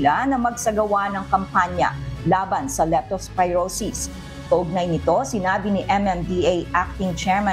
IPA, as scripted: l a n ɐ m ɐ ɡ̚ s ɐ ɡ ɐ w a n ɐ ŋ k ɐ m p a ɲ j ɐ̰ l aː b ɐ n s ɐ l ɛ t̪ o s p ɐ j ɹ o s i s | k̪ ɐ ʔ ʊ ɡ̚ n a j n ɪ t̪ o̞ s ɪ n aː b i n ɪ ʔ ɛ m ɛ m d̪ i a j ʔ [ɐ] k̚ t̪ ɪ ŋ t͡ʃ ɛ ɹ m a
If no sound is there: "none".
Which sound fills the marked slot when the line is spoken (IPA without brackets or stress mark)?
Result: a